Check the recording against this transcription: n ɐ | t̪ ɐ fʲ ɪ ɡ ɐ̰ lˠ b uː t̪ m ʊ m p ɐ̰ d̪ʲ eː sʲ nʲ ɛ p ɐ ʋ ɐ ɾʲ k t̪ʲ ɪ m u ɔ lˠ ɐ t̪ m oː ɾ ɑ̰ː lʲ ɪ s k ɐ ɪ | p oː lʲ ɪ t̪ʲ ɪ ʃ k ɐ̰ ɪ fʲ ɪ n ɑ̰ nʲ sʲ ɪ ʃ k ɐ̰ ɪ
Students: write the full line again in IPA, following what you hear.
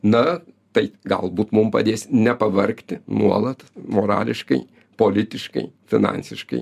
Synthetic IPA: n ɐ | t̪ ɐ ɪ ɡ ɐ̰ lˠ b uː t̪ m ʊ m p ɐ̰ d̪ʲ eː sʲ nʲ ɛ p ɐ ʋ ɐ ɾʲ k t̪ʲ ɪ n u ɔ lˠ ɐ t̪ m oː ɾ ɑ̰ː lʲ ɪ ʃ k ɐ ɪ | p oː lʲ ɪ t̪ʲ ɪ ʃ k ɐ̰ ɪ fʲ ɪ n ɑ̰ nʲ sʲ ɪ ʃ k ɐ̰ ɪ

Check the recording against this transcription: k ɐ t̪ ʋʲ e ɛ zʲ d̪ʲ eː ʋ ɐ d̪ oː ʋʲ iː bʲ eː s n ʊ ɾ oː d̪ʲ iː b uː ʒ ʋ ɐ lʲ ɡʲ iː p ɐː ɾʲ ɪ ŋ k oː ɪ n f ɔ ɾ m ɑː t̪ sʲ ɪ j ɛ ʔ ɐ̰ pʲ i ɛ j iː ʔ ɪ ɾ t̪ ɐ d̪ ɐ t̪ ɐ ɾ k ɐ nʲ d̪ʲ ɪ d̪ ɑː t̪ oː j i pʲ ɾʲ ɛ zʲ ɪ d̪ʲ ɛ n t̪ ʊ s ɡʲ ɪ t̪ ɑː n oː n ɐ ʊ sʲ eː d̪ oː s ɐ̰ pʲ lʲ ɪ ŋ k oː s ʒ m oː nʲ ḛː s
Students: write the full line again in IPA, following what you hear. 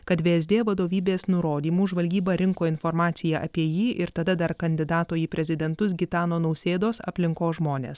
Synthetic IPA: k ɐ t̪ ʋʲ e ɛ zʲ d̪ʲ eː ʋ ɐ d̪ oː ʋʲ iː bʲ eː s n ʊ ɾ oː d̪ʲ iː m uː ʒ ʋ ɐ lʲ ɡʲ iː b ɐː ɾʲ ɪ ŋ k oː ɪ n f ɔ ɾ m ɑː t̪ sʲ ɪ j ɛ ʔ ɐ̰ pʲ i ɛ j iː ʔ ɪ ɾ t̪ ɐ d̪ ɐ d̪ ɐ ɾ k ɐ nʲ d̪ʲ ɪ d̪ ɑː t̪ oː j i pʲ ɾʲ ɛ zʲ ɪ d̪ʲ ɛ n t̪ ʊ s ɡʲ ɪ t̪ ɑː n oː n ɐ ʊ sʲ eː d̪ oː s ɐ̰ pʲ lʲ ɪ ŋ k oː s ʒ m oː nʲ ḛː s

